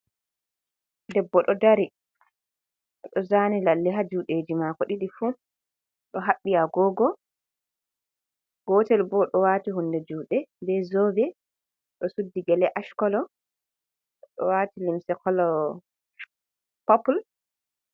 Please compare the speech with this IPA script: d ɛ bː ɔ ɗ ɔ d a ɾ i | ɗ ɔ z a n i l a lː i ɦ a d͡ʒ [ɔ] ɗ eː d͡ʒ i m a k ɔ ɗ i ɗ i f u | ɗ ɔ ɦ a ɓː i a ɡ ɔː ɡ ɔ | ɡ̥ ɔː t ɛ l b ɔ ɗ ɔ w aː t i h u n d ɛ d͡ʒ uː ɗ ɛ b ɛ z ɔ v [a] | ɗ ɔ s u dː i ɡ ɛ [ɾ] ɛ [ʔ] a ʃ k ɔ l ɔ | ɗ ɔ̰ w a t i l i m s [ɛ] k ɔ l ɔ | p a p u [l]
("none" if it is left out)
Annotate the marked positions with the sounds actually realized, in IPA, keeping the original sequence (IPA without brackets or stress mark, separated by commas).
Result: u, ɛ, l, ʔ, ɛ, l